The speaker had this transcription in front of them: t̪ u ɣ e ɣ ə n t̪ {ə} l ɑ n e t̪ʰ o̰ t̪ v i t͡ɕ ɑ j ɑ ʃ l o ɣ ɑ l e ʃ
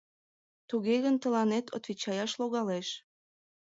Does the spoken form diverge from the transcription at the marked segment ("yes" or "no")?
no